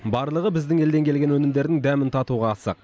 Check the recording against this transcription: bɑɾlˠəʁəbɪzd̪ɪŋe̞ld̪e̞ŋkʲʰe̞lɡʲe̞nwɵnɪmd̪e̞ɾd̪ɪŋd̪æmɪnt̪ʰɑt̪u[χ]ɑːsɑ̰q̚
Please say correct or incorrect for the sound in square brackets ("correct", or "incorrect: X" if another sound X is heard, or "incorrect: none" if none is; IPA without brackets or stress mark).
incorrect: ʁ